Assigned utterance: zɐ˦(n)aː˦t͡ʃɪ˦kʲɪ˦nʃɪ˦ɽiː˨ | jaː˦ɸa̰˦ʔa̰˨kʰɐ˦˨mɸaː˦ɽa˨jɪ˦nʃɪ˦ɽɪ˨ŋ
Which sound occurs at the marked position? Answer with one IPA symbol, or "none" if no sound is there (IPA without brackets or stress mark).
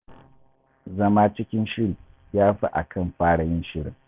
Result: m